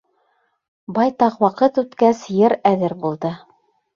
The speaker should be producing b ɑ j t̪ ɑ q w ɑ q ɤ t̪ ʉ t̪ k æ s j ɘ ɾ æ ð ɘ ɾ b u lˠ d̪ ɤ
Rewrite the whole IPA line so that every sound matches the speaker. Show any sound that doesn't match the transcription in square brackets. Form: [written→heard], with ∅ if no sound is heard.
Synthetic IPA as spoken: b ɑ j t̪ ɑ q w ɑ q ɤ t̪ ʉ t̪ k æ s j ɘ ɾ æ ð ɘ ɾ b u lˠ d̪ ɤ